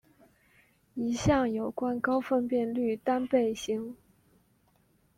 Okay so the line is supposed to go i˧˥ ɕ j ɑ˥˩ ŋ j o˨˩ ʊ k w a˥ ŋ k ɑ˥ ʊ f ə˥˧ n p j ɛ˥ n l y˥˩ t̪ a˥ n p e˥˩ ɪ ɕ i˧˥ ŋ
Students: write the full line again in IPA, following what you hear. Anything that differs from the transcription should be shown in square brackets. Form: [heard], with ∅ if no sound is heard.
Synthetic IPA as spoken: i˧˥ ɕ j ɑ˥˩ ŋ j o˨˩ ʊ k w a˥ [n] k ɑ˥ ʊ f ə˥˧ n p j [ɛ˥˧] n l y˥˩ t̪ a˥ n p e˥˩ ɪ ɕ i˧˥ ŋ